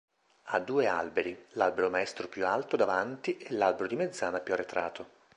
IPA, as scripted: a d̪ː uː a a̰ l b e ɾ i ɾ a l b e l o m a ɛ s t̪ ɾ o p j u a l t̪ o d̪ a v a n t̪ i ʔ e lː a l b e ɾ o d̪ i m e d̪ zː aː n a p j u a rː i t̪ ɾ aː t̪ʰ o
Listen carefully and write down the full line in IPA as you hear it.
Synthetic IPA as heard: a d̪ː uː e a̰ l b e ɾ i l a l b e ɾ o m a ɛ s t̪ ɾ o p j u a l t̪ o d̪ a v a n t̪ i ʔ e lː a l b e ɾ o d̪ i m e d̪ zː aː n a p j u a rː e t̪ ɾ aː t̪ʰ o